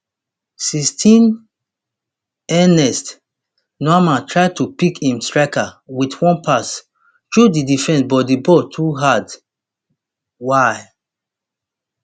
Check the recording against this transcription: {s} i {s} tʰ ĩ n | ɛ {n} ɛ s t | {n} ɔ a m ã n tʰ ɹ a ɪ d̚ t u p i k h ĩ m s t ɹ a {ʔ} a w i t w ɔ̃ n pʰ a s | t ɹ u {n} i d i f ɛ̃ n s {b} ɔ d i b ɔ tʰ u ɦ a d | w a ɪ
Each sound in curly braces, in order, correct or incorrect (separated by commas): correct, correct, correct, correct, incorrect, incorrect, correct